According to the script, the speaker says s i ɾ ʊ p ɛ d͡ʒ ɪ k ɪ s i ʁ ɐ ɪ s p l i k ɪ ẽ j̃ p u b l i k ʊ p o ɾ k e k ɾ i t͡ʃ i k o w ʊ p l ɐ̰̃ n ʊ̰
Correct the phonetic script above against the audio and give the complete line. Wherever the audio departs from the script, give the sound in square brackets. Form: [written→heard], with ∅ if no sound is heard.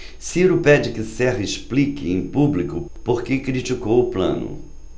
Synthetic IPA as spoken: s i ɾ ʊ p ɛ d͡ʒ ɪ k ɪ s [i→ɛ] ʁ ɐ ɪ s p l i k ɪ ẽ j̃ p u b l i k ʊ p o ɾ k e k ɾ i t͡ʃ i k o w ʊ p l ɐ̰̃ n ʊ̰